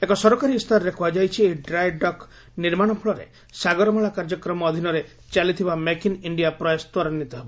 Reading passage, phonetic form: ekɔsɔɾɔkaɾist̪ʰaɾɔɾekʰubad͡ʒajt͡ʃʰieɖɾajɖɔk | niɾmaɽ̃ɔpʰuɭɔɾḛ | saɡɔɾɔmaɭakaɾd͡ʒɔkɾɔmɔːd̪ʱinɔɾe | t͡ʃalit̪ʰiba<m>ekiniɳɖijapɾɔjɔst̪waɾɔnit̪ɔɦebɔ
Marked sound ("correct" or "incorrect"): correct